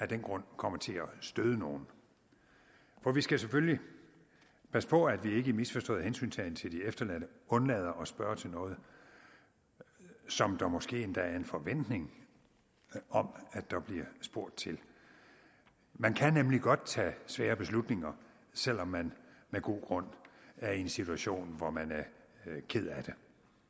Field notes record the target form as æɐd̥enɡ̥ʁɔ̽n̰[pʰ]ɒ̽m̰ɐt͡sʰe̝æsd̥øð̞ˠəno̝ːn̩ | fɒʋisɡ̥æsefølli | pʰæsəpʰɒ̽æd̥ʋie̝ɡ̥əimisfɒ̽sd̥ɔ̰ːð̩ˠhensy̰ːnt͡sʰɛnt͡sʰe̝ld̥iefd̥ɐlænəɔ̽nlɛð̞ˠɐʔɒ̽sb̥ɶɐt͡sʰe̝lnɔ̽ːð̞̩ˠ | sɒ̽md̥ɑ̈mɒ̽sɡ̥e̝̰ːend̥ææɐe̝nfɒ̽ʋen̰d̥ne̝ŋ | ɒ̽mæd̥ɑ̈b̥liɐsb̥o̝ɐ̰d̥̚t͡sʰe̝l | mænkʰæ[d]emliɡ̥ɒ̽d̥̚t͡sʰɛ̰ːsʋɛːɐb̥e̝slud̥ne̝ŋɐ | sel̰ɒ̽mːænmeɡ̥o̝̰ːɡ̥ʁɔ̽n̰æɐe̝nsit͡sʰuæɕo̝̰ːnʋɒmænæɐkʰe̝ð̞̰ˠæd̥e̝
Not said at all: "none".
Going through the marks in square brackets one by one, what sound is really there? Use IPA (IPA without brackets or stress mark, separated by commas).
kʰ, n